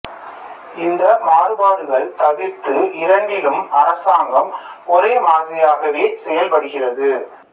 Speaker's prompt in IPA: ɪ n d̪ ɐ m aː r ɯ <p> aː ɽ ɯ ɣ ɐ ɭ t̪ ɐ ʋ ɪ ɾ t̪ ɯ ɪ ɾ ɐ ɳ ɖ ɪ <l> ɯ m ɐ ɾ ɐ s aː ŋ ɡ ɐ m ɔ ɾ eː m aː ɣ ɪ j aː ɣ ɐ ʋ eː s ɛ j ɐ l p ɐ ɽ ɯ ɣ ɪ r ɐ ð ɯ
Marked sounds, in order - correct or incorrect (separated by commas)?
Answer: incorrect, correct